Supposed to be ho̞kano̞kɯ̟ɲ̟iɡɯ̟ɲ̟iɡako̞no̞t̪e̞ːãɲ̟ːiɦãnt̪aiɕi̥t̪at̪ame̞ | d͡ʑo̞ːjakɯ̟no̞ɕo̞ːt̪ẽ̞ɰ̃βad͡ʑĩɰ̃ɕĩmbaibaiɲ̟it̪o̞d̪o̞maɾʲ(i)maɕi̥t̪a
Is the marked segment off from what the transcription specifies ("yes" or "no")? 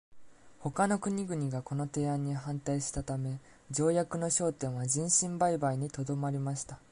no